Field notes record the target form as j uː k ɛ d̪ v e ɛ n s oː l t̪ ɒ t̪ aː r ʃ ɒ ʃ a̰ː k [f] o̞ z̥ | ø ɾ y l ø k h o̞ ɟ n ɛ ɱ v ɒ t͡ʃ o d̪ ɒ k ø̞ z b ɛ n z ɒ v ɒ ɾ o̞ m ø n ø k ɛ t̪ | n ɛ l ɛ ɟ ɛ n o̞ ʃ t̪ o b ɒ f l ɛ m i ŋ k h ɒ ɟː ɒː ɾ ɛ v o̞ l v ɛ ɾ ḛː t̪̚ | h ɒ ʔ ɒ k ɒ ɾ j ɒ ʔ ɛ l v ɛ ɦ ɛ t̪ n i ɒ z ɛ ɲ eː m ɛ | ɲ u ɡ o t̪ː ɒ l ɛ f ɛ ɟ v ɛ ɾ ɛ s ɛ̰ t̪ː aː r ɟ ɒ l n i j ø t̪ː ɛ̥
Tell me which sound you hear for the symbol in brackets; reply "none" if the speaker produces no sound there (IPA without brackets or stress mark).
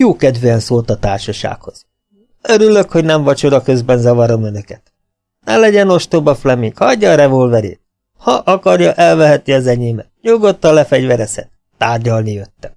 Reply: h